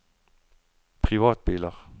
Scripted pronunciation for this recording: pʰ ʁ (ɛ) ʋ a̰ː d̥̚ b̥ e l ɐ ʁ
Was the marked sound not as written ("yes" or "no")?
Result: yes